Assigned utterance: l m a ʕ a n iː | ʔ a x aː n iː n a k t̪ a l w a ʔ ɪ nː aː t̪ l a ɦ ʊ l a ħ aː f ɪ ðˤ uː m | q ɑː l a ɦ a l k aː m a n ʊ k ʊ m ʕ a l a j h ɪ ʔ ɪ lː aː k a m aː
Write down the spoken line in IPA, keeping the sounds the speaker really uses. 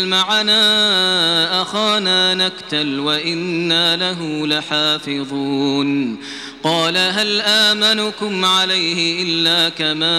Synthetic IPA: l m a ʕ a n aː | ʔ a x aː n aː n a k t̪ a l w a ʔ ɪ nː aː l a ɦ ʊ l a ħ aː f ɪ ðˤ uː n | q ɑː l a ɦ a l ʔ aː m a n ʊ k ʊ m ʕ a l a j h ɪ ʔ ɪ lː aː k a m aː